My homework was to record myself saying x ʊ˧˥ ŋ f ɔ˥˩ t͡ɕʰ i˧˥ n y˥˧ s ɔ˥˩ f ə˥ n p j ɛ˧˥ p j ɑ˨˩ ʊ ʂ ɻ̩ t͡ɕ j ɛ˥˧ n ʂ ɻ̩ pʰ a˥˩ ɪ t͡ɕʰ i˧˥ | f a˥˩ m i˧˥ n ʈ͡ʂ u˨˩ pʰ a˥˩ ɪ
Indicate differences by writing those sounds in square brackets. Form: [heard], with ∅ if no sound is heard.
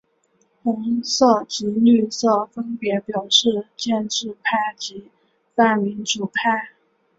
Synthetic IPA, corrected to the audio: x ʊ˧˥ ŋ [s] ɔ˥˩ [t͡ɕ] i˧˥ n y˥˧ s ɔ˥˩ f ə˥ n p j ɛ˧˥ p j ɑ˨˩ ʊ ʂ ɻ̩ t͡ɕ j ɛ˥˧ n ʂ ɻ̩ pʰ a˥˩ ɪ [t͡ɕ] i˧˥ | f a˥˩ m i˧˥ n ʈ͡ʂ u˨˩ pʰ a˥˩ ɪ